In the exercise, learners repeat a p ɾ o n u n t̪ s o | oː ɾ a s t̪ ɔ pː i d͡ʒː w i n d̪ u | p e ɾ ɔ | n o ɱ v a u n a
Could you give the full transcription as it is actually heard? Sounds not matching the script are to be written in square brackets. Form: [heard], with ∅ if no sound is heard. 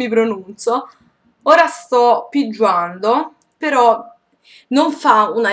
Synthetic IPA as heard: [i] p ɾ o n u n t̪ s o | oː ɾ a s t̪ ɔ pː i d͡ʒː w [a] n d̪ [o] | p e ɾ ɔ | n o ɱ [f] a u n a

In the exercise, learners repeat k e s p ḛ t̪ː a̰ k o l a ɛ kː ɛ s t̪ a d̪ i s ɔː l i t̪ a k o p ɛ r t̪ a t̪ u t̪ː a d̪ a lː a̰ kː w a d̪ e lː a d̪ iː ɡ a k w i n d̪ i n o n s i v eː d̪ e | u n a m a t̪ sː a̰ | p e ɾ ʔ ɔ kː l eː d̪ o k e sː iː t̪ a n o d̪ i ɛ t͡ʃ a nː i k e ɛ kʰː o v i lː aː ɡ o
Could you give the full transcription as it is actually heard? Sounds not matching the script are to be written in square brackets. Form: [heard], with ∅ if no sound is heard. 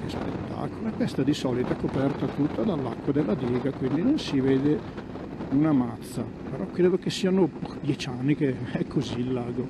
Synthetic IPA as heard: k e s p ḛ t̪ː a̰ k o l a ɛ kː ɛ s t̪ a d̪ i s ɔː l i t̪ a k o p ɛ r t̪ a t̪ u t̪ː a d̪ a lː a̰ kː w a d̪ e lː a d̪ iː ɡ a k w i n d̪ i n o n s i v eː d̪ e | u n a m a t̪ sː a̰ | p e ɾ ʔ ɔ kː [ɾ] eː d̪ o k e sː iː [∅] a n o d̪ [j] ɛ t͡ʃ a nː i k e ɛ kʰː o [z] i lː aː ɡ o

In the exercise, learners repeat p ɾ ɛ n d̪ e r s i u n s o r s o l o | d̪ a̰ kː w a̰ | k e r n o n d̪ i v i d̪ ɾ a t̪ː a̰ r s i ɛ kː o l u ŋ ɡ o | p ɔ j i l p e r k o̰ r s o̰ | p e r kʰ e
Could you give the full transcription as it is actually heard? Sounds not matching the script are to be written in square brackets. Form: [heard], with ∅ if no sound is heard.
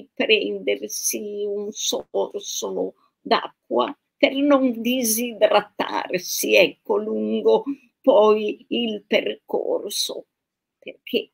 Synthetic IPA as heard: p ɾ ɛ n d̪ e r s i u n s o r s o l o | d̪ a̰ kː w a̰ | [p] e r n o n d̪ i [z] i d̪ ɾ a t̪ː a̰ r s i ɛ kː o l u ŋ ɡ o | p ɔ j i l p e r k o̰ r s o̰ | p e r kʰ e

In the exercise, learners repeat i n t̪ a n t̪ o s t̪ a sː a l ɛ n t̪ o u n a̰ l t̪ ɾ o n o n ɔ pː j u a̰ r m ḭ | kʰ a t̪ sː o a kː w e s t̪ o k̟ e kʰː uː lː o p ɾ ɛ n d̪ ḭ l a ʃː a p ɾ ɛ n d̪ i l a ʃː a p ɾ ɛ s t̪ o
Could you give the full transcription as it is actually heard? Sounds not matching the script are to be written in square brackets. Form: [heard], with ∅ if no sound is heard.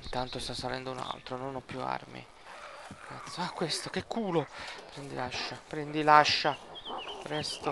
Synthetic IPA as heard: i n t̪ a n t̪ o s t̪ a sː a l ɛ n [d̪] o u n a̰ l t̪ ɾ o n o n ɔ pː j u a̰ r m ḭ | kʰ a t̪ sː o a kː w e s t̪ o k̟ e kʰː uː [l] o p ɾ ɛ n d̪ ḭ l a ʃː a p ɾ ɛ n d̪ i l a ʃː a p ɾ ɛ s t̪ o

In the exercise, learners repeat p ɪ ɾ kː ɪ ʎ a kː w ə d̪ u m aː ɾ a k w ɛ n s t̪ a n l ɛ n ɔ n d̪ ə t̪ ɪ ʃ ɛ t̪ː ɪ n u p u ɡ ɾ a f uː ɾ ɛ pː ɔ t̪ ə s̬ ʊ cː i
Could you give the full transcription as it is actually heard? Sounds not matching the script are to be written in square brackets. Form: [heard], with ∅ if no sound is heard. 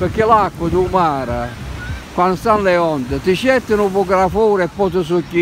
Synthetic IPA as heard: p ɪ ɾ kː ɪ [l] a kː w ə d̪ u m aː ɾ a k w [a] n s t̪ a n l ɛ [∅] ɔ n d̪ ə t̪ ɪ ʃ ɛ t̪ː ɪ n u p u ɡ ɾ a f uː ɾ ɛ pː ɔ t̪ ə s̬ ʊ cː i

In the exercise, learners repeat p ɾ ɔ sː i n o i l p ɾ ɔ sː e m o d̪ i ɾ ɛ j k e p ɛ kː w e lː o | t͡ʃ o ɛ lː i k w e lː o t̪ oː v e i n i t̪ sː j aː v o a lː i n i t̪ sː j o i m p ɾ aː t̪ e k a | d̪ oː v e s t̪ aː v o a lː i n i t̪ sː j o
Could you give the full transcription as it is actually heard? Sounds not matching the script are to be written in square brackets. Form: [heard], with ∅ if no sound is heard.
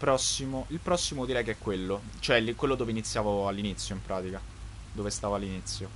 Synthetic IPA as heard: p ɾ ɔ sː i [m] o i l p ɾ ɔ sː [i] m o d̪ i ɾ ɛ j k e [∅] ɛ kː w e lː o | t͡ʃ o ɛ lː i k w e lː o [d̪] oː v e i n i t̪ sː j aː v o a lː i n i t̪ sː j o i m p ɾ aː t̪ [i] k a | d̪ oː v e s t̪ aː v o a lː i n i t̪ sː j o

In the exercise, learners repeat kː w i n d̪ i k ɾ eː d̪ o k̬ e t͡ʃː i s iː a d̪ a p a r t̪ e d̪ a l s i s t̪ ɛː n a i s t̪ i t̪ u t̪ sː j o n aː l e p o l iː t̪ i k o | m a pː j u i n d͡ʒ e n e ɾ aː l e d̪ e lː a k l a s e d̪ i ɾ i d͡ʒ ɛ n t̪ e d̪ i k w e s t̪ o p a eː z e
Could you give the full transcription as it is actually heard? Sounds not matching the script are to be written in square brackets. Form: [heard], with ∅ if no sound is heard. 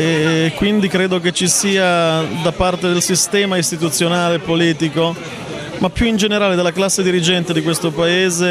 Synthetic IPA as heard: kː w i n d̪ i k ɾ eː d̪ o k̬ e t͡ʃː i s iː a d̪ a p a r t̪ e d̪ [e] l s i s t̪ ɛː [m] a i s t̪ i t̪ u t̪ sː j o n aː l e p o l iː t̪ i k o | m a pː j u i n d͡ʒ e n e ɾ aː l e d̪ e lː a k l a [sː] e d̪ i ɾ i d͡ʒ ɛ n t̪ e d̪ i k w e s t̪ o p a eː z e

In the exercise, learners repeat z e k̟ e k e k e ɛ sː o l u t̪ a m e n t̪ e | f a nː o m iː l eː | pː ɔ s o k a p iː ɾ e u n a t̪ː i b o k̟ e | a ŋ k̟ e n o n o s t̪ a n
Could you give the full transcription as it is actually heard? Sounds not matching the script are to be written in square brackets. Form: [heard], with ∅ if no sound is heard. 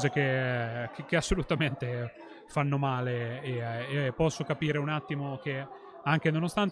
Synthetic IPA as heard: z e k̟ e k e k e [a] sː o l u t̪ a m e n t̪ e | f a nː o m [aː] l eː | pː ɔ [sː] o k a p iː ɾ e u n a t̪ː i [m] o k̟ e | a ŋ k̟ e n o n o s t̪ a n

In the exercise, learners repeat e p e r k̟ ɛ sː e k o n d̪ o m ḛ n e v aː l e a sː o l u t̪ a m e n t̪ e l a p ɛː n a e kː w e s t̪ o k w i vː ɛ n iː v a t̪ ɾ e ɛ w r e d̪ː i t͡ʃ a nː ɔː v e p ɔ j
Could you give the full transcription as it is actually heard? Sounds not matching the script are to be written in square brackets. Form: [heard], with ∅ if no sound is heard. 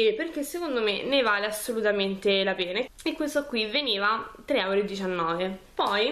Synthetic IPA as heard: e p e r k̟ [e] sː e k o n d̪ o m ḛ n e v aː l e a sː o l u t̪ a m e n t̪ e l a p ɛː n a e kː w e s t̪ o k w i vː [e] n iː v a t̪ ɾ e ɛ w [ɾ] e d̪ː i t͡ʃ a nː ɔː v e p ɔ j

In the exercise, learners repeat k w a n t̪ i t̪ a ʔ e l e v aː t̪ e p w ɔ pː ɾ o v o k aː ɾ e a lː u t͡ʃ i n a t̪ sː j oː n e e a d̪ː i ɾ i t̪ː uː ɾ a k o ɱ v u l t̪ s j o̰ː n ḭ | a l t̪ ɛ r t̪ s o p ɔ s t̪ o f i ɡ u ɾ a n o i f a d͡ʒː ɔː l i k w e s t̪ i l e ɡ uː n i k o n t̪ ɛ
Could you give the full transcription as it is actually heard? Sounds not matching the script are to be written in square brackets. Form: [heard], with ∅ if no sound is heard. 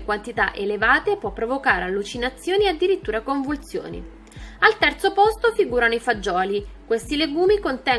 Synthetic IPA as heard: k w a n t̪ i t̪ a ʔ e l e v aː t̪ e p w ɔ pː ɾ o v o k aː ɾ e a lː u t͡ʃ i n a t̪ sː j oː n [i] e a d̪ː i ɾ i t̪ː uː ɾ a k o ɱ v u l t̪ s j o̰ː n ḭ | a l t̪ ɛ r t̪ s o p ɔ s t̪ o f i ɡ [uː] ɾ a n o i f a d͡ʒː ɔː l i k w e s t̪ i l e ɡ uː [m] i k o n t̪ ɛ

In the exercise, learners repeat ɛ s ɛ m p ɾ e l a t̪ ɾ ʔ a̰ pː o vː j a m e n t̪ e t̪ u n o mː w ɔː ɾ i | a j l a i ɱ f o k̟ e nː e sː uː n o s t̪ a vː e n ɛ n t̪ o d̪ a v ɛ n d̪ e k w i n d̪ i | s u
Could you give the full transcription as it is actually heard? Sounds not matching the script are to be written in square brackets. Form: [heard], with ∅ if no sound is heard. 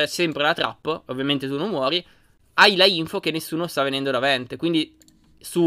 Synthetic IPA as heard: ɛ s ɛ m p ɾ e l a t̪ ɾ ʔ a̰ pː o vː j a m e n t̪ e t̪ u n o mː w ɔː ɾ i | a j l a i ɱ f o k̟ e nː e sː uː n o s t̪ a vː e n ɛ n [d̪] o d̪ a v ɛ n [t̪] e k w i n d̪ i | s u

